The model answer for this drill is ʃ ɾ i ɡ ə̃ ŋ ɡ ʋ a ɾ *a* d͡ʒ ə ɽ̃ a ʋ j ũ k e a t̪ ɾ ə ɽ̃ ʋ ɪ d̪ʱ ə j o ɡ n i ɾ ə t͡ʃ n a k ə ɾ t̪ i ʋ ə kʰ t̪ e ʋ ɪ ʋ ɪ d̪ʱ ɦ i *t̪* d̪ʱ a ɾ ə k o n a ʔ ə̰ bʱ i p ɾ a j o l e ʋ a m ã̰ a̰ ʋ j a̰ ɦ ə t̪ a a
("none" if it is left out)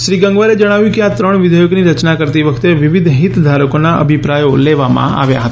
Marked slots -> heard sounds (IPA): e, t̪

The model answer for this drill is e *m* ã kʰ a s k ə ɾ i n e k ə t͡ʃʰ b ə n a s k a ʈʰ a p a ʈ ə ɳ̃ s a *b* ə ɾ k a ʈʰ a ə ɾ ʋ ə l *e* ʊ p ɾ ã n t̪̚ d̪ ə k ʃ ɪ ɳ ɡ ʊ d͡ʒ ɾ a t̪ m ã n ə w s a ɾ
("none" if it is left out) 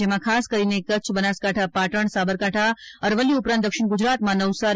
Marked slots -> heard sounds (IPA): m, b, i

